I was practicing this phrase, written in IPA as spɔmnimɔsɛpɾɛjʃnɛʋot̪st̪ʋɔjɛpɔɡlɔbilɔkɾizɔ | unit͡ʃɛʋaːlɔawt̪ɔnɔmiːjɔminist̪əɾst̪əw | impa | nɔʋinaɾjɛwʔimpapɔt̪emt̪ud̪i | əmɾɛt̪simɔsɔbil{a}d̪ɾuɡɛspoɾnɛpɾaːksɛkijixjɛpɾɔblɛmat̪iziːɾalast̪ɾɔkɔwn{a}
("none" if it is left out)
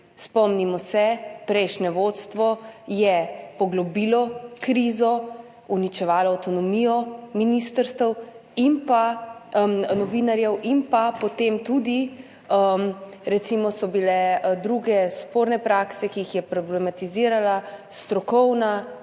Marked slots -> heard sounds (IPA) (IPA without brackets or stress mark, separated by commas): ɛ, a